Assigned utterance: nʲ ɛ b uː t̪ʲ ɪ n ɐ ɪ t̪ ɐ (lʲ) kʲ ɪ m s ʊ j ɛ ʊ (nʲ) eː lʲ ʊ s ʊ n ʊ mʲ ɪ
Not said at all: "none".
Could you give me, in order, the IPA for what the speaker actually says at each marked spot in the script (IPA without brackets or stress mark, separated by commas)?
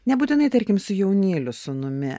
ɾʲ, nʲ